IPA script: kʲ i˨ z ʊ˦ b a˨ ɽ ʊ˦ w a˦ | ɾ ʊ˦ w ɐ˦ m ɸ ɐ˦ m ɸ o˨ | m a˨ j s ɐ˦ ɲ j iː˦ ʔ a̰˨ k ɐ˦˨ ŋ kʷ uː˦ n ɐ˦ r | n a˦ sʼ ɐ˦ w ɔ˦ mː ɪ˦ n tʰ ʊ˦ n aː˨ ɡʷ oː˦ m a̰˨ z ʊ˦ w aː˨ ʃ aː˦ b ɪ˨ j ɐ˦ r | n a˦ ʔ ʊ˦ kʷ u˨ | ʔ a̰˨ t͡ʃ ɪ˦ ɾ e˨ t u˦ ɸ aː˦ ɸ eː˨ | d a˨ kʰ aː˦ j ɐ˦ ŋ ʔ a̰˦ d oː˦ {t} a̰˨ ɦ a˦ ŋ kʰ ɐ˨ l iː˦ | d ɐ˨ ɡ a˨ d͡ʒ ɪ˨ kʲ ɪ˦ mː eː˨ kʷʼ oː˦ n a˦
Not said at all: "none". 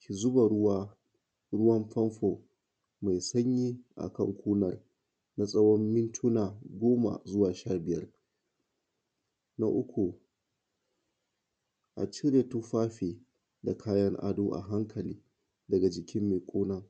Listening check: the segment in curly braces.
ʔ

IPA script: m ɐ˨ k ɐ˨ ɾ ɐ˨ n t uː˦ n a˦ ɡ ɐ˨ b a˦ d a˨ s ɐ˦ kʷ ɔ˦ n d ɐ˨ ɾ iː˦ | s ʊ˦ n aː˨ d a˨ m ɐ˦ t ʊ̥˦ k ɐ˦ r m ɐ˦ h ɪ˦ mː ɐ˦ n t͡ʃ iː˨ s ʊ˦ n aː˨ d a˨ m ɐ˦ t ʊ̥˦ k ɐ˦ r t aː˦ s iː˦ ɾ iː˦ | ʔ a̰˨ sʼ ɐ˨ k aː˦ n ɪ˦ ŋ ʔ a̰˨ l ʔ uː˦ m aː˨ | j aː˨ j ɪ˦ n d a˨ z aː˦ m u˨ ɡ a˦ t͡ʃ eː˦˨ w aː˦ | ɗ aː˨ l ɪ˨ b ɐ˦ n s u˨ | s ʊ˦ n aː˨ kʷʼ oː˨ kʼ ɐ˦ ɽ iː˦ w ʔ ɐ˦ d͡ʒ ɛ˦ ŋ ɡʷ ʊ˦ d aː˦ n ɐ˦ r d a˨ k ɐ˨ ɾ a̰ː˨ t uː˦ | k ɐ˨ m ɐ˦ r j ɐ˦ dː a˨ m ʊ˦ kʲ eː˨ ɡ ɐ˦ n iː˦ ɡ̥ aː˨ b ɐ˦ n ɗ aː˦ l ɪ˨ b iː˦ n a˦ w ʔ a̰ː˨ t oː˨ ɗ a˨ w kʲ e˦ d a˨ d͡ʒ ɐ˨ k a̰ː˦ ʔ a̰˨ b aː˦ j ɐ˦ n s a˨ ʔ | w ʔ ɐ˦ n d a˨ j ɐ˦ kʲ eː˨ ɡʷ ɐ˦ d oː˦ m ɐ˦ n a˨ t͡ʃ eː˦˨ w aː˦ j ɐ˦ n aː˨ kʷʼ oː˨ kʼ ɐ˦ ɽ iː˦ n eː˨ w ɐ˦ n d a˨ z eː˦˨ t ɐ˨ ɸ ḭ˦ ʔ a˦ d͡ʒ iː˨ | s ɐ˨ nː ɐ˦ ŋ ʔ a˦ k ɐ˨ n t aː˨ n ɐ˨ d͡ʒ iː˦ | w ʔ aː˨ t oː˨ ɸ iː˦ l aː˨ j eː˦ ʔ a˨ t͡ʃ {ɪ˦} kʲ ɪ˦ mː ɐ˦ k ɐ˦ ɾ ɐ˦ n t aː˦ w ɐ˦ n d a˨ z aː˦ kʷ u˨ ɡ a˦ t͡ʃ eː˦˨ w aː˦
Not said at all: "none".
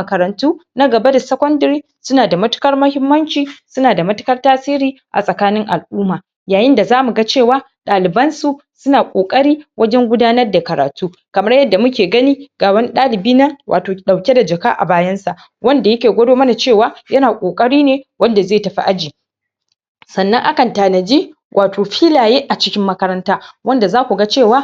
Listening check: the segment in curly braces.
ɪ˦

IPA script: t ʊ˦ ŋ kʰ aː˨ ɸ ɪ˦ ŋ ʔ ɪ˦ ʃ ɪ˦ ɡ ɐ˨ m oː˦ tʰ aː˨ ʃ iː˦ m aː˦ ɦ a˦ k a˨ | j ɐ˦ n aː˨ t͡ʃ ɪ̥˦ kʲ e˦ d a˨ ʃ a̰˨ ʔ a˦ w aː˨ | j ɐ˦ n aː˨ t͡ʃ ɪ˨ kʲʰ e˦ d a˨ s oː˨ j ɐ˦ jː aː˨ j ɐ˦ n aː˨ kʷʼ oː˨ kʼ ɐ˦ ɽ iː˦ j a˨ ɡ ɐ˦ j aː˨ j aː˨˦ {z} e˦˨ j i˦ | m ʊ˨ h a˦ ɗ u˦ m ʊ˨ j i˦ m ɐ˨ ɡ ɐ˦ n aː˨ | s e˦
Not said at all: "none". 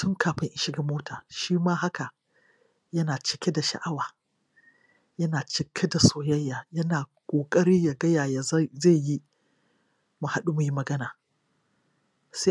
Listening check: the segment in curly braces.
z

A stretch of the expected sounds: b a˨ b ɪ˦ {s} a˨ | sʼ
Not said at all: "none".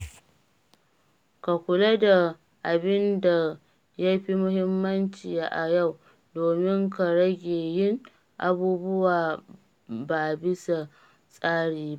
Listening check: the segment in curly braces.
s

